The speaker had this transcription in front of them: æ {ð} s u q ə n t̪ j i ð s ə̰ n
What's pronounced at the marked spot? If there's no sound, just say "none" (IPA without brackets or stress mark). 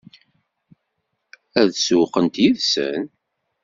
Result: ð